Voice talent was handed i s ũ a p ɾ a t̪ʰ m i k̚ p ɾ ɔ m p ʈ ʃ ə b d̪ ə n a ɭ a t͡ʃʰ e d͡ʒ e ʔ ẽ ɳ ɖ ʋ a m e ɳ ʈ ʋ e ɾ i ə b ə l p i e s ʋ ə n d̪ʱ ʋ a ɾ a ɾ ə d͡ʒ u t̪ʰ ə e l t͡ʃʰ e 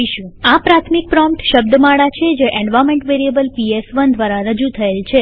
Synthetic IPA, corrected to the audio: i ʃ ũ a p ɾ a t̪ʰ m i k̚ p ɾ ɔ m p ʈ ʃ ə b d̪ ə m a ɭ a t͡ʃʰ e d͡ʒ e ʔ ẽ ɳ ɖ ʋ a m e ɳ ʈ ʋ e ɾ i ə b ə l p i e s ʋ ə n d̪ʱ ʋ a ɾ a ɾ ə d͡ʒ u t̪ʰ ə e l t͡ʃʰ e

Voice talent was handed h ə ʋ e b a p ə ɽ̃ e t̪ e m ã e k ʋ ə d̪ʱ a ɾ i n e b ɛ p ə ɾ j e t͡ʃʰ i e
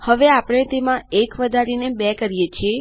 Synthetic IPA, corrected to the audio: h ə ʋ e a p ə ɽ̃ e t̪ e m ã e k ʋ ə d̪ʱ a ɾ i n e b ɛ k ə ɾ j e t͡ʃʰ i e

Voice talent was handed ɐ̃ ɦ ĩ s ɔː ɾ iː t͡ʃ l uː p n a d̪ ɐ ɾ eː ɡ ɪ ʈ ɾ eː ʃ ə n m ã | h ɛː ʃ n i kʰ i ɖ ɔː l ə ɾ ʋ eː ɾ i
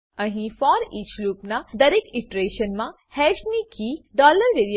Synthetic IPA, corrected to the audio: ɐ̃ ɦ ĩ f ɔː ɾ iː t͡ʃ l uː p n a d̪ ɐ ɾ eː k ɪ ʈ ɾ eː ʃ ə n m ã | h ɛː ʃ n i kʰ i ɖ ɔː l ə ɾ ʋ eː ɾ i

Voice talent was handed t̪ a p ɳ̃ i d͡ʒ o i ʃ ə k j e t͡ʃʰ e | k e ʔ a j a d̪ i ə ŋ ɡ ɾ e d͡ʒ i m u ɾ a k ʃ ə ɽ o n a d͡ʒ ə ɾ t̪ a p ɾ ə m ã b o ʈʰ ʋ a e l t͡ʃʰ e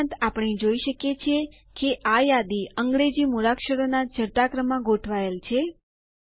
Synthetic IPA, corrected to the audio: t̪ a p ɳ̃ i d͡ʒ o i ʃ ə k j e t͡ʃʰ e | k e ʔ a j a d̪ i ə ŋ ɡ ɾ e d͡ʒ i m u ɾ a k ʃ ə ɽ o n a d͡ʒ ə ɾ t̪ a k ɾ ə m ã ɡ o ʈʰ ʋ a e l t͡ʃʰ e

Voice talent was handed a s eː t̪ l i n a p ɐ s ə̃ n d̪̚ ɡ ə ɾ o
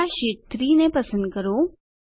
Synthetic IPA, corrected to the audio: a ʃ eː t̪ ɾ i n e p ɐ s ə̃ n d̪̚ k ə ɾ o

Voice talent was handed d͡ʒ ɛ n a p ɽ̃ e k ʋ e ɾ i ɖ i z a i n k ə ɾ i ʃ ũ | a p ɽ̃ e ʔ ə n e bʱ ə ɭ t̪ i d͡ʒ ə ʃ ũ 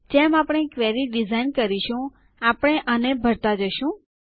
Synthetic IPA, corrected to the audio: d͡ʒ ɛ m a p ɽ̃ e k ʋ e ɾ i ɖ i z a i n k ə ɾ i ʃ ũ | a p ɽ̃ e ʔ ə n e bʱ ə ɾ t̪ a d͡ʒ ə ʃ ũ

